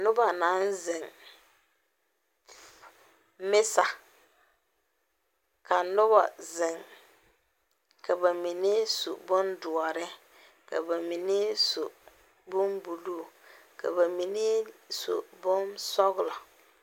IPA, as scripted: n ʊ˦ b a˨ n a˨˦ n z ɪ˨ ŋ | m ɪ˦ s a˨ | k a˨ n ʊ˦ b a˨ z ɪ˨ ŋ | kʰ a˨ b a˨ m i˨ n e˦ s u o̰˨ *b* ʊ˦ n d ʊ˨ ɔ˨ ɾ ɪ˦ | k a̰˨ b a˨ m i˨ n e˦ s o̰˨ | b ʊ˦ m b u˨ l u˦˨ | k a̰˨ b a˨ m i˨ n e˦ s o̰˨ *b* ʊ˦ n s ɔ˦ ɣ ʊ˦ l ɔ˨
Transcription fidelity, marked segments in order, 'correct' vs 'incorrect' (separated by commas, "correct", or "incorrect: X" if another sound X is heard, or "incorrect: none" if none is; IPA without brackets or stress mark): correct, correct